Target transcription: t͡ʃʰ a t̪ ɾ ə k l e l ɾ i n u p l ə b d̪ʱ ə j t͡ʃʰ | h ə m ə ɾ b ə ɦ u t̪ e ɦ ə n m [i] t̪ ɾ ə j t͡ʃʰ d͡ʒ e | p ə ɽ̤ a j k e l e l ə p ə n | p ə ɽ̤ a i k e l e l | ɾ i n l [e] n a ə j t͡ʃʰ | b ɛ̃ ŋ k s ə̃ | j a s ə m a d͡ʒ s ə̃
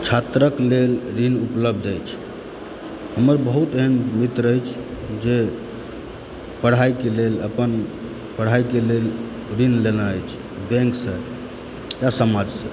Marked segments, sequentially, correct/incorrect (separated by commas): correct, correct